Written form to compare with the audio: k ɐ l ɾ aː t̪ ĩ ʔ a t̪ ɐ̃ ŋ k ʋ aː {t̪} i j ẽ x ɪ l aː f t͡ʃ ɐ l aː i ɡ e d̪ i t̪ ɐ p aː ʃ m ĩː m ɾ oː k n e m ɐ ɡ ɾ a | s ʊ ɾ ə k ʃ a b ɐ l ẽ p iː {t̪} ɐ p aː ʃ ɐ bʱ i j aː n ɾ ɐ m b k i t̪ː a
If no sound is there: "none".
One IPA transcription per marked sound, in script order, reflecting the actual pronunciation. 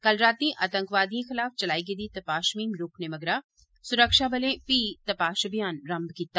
d̪, t̪

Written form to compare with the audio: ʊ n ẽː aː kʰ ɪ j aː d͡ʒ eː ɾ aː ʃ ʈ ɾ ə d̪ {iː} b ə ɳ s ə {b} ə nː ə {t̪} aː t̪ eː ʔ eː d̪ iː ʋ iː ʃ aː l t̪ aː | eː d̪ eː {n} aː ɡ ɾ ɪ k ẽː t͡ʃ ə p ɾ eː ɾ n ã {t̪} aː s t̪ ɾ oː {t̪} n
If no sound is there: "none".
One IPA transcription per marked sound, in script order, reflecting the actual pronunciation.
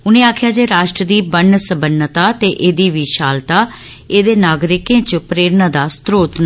iː, b, t̪, n, d̪, t̪

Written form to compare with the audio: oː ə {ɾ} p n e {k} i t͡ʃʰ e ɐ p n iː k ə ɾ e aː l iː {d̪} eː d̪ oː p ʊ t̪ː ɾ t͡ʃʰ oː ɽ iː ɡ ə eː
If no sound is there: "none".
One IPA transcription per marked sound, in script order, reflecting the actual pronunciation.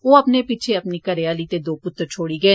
none, p, t̪

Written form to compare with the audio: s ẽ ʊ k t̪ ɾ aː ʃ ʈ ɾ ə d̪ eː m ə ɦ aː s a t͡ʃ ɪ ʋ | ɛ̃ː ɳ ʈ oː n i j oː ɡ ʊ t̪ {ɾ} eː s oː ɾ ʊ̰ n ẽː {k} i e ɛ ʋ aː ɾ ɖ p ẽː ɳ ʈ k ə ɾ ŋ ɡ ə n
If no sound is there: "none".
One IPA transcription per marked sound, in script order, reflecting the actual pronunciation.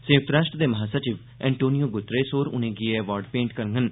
ɾ, ɡ

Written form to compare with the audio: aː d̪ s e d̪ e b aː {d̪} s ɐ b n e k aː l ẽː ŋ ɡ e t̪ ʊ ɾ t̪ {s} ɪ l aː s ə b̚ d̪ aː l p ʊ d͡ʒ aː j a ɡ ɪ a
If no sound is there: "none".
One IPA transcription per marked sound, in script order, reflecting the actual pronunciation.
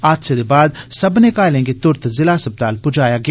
d̪, z

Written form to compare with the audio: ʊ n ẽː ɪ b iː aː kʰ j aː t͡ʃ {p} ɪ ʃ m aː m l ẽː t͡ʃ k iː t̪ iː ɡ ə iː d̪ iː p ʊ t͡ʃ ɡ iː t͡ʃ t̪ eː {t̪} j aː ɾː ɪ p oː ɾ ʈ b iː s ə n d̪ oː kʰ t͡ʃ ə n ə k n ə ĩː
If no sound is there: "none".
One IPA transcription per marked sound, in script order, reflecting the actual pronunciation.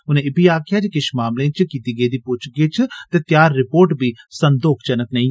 k, t̪

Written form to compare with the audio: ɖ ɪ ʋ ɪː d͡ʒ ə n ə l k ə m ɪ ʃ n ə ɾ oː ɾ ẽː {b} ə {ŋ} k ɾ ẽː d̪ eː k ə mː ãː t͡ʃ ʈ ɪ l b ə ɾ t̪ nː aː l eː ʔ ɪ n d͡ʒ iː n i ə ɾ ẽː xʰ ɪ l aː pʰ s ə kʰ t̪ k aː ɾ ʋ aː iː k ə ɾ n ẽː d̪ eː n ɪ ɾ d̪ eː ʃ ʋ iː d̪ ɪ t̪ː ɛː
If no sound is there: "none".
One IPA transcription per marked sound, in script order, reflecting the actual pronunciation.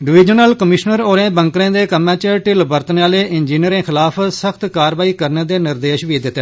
b, ŋ

